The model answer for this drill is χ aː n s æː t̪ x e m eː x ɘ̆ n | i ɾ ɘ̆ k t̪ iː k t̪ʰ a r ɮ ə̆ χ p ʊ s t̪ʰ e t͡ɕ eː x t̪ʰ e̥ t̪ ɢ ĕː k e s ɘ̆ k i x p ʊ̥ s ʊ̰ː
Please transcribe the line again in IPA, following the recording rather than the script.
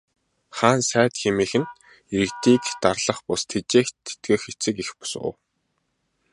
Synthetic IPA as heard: χ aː n s æː t̪ x e m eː x ɘ̆ n | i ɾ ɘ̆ k t̪ iː k t̪ a r ɮ ə̆ χ p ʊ s t̪ʰ e t͡ɕ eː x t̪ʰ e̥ t̪ ɡ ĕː x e t͡s ɘ̆ k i x p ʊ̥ s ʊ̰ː